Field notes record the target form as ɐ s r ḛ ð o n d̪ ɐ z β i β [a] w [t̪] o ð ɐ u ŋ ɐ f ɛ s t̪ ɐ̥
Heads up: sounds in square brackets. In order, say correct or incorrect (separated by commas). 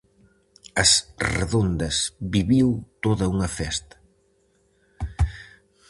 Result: incorrect, correct